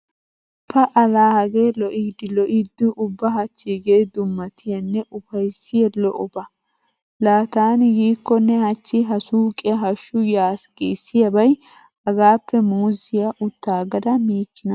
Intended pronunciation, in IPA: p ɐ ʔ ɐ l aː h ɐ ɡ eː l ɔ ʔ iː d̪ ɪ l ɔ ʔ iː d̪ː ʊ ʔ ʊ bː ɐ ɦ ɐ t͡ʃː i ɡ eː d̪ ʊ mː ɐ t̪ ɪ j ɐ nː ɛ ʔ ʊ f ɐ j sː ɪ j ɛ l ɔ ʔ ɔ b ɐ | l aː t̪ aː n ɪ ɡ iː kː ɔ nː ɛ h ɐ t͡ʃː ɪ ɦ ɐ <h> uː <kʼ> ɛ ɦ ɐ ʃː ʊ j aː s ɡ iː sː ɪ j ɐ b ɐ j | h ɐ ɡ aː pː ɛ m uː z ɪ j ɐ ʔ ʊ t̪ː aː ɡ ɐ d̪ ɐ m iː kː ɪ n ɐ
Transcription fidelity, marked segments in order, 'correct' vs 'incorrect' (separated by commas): incorrect, correct